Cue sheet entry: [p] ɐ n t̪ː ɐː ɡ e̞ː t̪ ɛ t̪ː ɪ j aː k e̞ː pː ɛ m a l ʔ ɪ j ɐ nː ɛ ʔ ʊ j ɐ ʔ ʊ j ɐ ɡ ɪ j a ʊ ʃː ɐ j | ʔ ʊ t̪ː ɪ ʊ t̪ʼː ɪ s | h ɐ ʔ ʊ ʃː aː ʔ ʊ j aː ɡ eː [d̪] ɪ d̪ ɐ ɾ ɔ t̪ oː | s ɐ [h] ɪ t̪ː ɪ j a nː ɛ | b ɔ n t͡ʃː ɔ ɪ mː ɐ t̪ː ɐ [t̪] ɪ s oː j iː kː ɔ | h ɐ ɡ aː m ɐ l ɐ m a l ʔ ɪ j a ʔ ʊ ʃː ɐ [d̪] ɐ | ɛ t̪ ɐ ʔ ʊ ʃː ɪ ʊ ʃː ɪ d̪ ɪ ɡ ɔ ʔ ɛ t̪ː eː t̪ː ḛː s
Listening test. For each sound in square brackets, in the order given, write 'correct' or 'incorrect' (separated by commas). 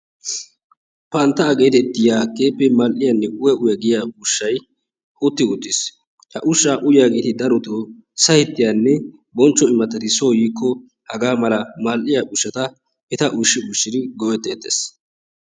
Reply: correct, incorrect, correct, correct, incorrect